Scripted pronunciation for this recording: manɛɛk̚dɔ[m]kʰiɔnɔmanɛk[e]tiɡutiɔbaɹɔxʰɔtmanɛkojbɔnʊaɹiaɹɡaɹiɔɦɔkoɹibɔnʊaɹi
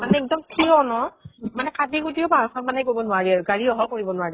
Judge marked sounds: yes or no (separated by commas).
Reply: yes, no